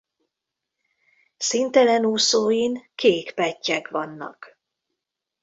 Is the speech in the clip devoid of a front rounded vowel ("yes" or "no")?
yes